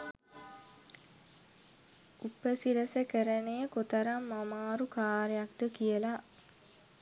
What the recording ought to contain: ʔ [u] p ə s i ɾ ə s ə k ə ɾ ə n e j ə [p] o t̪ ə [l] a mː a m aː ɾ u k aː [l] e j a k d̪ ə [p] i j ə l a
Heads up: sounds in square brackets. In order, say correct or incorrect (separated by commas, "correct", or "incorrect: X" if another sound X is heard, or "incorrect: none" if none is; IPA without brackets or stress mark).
correct, incorrect: k, incorrect: ɾ, incorrect: ɾ, incorrect: k